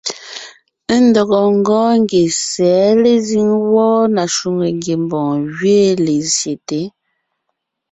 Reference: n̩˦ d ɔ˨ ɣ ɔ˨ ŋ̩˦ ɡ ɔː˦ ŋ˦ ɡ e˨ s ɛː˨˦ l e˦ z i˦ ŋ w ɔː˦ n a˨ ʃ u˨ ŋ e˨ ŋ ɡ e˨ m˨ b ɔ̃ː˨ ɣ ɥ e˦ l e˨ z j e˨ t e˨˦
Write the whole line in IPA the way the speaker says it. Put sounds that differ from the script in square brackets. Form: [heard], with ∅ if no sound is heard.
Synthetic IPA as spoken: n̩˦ d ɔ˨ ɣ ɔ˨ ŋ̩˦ ɡ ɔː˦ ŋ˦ ɡ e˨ s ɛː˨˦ l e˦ z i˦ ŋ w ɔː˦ n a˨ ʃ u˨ ŋ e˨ ŋ ɡ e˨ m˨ b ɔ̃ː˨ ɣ ɥ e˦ l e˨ z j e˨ t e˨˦

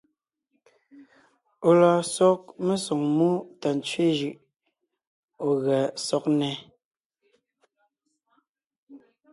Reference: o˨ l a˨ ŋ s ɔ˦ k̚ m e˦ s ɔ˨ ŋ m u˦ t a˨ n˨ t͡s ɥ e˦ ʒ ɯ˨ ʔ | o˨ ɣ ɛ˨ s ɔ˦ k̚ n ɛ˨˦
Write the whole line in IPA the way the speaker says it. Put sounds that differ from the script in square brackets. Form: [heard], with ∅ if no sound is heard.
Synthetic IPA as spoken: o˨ l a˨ [∅] s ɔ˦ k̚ m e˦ s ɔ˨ ŋ m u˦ t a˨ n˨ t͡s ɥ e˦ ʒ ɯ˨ ʔ | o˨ ɣ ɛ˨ s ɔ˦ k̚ n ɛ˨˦

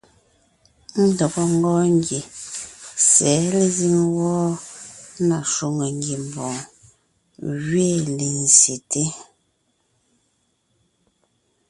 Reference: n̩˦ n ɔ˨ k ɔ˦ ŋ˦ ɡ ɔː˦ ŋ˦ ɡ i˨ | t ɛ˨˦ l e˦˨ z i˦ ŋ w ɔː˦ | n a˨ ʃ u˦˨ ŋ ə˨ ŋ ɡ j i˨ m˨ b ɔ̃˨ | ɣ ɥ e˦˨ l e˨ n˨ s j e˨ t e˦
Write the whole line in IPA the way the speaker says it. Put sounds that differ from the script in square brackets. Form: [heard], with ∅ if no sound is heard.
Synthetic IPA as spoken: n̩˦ [d] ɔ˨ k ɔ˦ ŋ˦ ɡ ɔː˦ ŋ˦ ɡ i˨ | [s] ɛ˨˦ l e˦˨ z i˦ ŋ w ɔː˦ | n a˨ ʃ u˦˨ ŋ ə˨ ŋ ɡ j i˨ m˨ b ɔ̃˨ | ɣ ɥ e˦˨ l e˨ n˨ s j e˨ t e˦

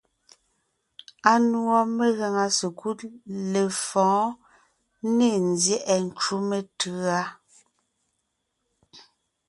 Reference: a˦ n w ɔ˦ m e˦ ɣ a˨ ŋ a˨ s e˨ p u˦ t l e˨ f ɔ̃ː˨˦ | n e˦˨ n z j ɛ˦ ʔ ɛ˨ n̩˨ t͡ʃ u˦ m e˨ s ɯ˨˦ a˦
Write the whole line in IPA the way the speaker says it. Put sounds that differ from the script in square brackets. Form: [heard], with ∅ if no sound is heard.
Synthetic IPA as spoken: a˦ n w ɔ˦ m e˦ ɣ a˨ ŋ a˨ s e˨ [k] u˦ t l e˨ f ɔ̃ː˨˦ | n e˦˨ n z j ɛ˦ ʔ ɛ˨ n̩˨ t͡ʃ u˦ m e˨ [t] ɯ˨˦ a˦

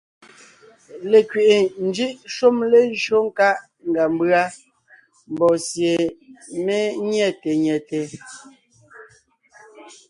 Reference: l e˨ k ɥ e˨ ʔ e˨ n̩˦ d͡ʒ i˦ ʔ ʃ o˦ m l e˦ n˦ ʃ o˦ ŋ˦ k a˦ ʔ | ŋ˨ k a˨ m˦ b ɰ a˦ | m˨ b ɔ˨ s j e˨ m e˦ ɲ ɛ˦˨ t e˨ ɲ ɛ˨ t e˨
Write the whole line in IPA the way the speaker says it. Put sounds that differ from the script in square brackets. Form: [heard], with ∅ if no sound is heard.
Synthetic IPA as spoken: l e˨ k ɥ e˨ ʔ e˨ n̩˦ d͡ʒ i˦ ʔ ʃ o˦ m l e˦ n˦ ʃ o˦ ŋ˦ k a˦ ʔ | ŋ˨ [ɡ] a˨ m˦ b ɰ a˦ | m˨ b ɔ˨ s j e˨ m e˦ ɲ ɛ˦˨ t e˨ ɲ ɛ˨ t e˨

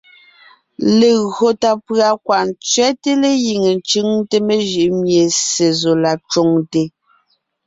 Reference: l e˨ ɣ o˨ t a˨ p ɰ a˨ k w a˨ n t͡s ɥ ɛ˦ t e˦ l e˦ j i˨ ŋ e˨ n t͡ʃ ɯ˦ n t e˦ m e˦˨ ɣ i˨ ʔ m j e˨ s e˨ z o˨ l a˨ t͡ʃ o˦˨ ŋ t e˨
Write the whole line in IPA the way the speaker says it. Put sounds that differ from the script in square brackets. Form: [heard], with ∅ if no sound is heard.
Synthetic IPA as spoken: l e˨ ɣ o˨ t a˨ p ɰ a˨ k w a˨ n t͡s ɥ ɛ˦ t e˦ l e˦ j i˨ ŋ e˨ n t͡ʃ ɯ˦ [ŋ] t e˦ m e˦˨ [ʒ] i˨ ʔ m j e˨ s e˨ z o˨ l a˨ t͡ʃ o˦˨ ŋ t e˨

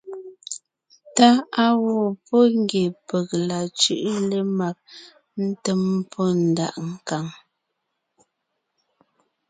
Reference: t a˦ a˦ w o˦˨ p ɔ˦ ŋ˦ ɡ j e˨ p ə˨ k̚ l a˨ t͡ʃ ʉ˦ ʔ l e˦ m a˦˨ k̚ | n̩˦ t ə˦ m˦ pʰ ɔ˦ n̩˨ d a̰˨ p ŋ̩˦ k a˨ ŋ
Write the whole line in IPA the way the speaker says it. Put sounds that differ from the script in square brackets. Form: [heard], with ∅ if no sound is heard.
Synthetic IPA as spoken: t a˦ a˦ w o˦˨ p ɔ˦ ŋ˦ ɡ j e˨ p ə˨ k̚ l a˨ t͡ʃ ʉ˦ ʔ l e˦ m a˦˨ k̚ | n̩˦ t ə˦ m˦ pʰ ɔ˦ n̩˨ d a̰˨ [ʔ] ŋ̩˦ k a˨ ŋ

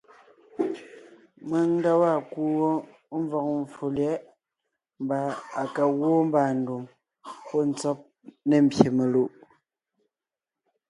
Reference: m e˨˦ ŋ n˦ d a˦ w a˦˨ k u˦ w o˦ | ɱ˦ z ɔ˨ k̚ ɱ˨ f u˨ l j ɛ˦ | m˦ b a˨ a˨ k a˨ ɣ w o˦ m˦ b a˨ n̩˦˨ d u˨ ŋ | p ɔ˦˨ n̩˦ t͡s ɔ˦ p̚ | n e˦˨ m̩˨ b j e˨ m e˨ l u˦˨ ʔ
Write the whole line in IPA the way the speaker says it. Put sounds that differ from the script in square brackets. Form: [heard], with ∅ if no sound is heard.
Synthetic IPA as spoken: m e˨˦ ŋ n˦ d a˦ w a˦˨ k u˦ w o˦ | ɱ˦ [v] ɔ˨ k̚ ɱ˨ f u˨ l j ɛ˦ | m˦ b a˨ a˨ k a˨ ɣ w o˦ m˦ b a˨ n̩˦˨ d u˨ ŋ | p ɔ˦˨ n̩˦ t͡s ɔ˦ p̚ | n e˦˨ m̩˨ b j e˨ m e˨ l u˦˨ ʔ

